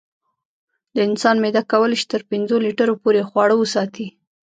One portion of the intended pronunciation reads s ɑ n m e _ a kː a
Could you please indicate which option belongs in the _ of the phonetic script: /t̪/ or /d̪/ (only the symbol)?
d̪